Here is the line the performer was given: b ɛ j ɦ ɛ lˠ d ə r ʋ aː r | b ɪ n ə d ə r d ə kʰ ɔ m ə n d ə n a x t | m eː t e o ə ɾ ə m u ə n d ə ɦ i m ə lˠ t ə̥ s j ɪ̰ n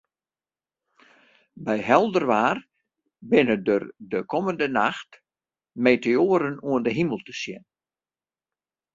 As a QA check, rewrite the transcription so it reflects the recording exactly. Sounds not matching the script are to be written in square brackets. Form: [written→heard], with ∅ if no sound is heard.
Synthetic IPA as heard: b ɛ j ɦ ɛ lˠ d ə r ʋ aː r | b ɪ n ə d ə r d ə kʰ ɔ m ə n d ə n a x t | m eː t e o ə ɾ ə [m→n] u ə n d ə ɦ i m ə lˠ t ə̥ s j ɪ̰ n